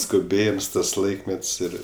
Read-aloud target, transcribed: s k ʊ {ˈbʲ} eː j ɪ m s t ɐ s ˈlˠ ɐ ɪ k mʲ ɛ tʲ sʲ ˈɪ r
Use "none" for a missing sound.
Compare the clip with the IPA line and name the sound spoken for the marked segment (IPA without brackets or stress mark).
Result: bʲ